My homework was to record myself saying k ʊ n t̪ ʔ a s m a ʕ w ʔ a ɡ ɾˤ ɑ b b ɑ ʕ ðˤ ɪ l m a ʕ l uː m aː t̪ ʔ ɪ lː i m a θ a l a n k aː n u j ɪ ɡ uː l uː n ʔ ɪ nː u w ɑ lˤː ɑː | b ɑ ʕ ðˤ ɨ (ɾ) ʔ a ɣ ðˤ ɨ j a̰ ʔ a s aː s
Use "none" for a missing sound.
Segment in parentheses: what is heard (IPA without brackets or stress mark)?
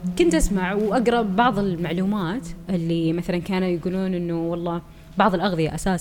l